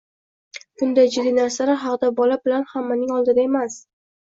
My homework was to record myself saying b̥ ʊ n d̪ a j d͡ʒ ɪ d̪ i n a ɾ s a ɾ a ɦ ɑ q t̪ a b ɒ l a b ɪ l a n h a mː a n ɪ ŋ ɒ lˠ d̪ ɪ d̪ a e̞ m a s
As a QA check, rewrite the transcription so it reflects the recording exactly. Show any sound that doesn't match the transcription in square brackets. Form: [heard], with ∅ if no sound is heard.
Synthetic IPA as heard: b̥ ʊ n d̪ a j d͡ʒ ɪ d̪ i n a ɾ s a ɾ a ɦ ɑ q [d̪] a b ɒ l a b ɪ l a n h a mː a n ɪ ŋ ɒ lˠ d̪ ɪ d̪ a e̞ m a s